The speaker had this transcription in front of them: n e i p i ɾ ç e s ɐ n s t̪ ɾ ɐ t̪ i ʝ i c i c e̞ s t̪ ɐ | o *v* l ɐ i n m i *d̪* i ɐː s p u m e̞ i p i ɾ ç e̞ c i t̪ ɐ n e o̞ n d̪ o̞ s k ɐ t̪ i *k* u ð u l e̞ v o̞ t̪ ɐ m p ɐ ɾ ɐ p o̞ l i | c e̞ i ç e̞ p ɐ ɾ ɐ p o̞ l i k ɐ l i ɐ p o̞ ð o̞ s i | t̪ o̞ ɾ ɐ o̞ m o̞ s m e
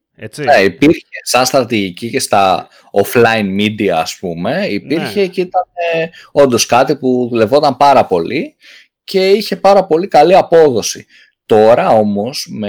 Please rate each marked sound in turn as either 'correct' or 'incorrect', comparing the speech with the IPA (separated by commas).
incorrect, correct, incorrect